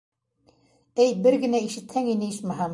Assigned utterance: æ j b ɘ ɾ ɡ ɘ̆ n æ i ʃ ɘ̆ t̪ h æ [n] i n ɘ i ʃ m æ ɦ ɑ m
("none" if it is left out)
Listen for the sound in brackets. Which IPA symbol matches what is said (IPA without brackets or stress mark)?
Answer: ŋ